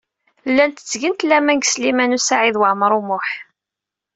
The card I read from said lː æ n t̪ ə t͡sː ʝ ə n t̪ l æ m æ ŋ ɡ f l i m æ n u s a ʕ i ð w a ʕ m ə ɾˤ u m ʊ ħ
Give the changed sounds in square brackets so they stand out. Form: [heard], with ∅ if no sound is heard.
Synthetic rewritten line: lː æ n t̪ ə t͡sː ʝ ə n t̪ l æ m æ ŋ ɡ [s] l i m æ n u s a ʕ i ð w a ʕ m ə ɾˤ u m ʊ ħ